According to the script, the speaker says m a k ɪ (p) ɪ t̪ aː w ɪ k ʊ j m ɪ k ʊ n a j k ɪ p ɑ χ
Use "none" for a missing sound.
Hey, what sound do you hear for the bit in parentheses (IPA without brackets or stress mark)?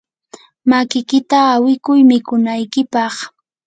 k